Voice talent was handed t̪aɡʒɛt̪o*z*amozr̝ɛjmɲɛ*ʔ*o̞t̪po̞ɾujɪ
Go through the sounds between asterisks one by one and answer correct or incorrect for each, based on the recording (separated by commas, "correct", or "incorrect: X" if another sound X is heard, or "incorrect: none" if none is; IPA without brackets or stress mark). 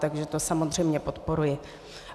incorrect: s, incorrect: p